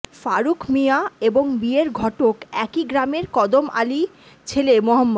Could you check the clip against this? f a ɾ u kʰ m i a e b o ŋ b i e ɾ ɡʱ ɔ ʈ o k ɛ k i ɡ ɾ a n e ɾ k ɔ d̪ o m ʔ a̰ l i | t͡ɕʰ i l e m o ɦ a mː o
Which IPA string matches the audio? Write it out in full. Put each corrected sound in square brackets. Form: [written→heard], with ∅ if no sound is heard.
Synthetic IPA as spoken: f a ɾ u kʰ m i a e b o ŋ b i e ɾ ɡʱ ɔ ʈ o k ɛ k i ɡ ɾ a [n→m] e ɾ k ɔ d̪ o m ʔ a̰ l i | t͡ɕʰ [i→e] l e m o ɦ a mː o